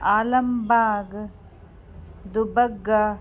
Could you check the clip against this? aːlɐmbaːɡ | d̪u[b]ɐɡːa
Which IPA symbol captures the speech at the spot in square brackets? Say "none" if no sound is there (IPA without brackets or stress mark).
b